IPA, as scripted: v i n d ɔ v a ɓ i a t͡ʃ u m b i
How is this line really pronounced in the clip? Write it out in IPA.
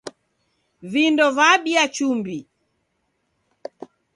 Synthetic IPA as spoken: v i n d ɔ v a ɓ i a t͡ʃ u m b i